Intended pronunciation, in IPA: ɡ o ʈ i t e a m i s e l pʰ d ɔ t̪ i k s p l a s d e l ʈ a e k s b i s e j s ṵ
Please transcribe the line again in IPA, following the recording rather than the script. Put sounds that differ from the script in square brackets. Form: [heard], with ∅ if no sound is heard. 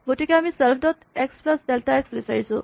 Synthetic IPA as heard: ɡ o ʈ i [k] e a m i s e l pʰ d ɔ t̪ [e] k s p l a s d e l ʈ a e k s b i s [a] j s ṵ